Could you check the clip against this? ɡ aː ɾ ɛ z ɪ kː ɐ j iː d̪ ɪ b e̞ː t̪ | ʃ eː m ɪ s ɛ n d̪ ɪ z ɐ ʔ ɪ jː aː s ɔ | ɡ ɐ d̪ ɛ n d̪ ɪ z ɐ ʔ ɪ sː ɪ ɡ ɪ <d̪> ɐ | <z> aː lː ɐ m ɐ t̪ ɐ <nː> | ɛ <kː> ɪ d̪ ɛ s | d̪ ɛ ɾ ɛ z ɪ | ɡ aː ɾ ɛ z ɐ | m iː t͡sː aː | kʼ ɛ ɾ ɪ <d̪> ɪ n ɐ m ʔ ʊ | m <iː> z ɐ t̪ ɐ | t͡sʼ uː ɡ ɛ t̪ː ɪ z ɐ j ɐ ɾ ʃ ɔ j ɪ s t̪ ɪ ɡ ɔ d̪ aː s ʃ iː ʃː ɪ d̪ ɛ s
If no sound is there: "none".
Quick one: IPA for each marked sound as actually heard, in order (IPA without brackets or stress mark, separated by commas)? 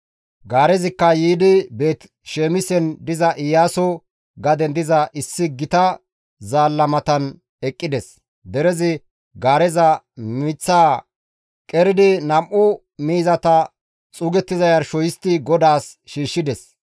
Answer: t̪, z, n, kʼː, d̪, iː